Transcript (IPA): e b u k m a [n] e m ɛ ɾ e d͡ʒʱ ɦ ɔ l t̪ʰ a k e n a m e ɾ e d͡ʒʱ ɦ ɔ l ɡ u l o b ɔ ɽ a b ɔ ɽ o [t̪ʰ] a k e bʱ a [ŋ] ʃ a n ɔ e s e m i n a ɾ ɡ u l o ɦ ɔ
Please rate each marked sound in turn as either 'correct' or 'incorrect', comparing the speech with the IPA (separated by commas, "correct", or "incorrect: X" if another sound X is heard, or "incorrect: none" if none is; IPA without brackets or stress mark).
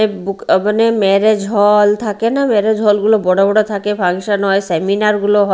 correct, correct, correct